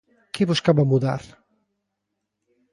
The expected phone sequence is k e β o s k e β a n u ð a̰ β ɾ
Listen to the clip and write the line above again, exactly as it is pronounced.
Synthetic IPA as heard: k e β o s k a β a m u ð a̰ ɾ